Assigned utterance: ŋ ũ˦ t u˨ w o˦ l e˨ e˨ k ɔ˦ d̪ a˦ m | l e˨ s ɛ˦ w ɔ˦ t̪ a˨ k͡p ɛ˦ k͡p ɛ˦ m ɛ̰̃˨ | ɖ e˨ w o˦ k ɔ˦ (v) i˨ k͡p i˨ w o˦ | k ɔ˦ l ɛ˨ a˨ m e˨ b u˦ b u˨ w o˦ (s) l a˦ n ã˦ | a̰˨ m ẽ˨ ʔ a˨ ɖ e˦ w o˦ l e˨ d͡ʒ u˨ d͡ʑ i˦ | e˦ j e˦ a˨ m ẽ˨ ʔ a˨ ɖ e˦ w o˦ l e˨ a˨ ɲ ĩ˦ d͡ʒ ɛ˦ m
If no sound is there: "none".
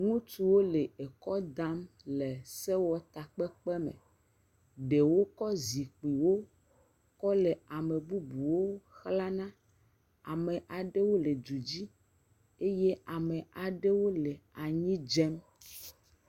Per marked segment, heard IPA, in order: z, x

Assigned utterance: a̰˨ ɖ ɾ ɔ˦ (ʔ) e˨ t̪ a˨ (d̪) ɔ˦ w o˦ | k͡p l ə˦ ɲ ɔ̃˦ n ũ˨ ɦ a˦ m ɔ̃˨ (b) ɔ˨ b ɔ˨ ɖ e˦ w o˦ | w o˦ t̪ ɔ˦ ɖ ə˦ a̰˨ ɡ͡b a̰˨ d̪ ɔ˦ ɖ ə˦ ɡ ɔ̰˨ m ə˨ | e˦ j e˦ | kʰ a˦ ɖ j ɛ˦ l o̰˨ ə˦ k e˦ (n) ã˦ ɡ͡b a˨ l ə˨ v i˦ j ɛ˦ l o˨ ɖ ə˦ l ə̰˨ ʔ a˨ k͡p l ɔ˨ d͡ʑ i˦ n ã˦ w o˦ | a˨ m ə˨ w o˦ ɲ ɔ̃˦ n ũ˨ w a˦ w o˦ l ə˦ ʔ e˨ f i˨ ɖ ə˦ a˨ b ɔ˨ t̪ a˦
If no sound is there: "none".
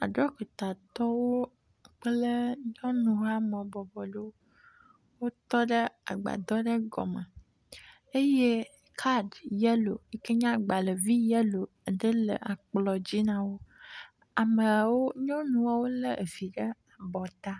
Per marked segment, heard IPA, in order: k, t̪, b, ɲ

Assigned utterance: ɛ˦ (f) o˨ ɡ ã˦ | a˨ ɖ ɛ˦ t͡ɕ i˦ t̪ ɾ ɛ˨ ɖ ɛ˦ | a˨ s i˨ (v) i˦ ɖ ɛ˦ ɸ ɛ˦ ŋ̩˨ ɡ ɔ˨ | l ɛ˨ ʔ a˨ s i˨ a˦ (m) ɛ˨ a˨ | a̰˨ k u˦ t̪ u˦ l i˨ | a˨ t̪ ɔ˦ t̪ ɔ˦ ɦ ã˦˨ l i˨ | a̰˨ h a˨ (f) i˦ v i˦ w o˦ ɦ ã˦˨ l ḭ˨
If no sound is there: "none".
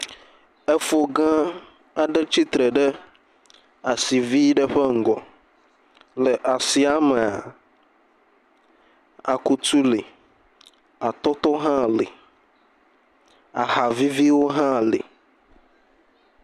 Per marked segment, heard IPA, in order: f, v, m, v

